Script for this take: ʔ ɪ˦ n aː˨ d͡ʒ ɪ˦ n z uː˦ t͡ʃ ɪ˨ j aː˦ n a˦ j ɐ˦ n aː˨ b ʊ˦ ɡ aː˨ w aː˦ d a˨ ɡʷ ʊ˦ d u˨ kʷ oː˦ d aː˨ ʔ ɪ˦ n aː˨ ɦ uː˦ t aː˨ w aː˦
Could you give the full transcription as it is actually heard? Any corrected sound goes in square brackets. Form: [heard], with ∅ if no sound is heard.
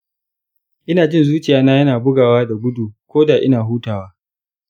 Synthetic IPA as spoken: ʔ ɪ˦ n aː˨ d͡ʒ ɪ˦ n z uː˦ t͡ʃ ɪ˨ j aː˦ n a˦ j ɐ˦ n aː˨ b ʊ˦ ɡ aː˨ w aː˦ d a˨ ɡʷ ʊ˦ d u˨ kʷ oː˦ d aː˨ ʔ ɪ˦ n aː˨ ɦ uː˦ t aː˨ w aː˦